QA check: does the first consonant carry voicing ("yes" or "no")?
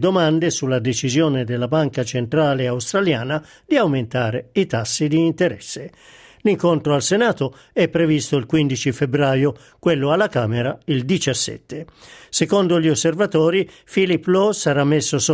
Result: yes